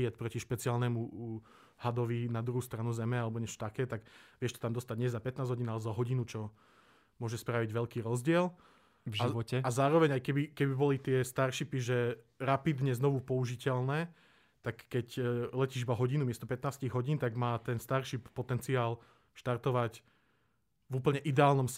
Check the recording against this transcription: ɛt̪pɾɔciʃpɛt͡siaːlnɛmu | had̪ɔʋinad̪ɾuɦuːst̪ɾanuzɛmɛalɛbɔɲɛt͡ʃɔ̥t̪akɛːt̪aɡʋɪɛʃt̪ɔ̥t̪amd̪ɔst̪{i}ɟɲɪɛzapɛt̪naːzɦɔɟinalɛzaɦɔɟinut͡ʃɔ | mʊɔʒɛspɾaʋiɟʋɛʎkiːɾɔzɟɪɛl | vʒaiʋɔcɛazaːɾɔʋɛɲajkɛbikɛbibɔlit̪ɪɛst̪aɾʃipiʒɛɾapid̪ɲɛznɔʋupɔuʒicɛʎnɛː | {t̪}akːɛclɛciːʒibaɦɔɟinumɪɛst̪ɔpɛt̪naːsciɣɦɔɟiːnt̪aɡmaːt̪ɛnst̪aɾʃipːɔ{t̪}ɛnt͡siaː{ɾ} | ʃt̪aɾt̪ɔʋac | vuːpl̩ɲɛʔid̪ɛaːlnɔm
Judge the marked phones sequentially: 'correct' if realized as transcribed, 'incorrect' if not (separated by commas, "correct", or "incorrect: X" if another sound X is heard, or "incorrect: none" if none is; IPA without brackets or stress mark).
incorrect: a, correct, correct, incorrect: l